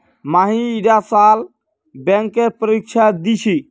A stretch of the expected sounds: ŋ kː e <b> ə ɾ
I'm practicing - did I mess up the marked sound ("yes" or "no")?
yes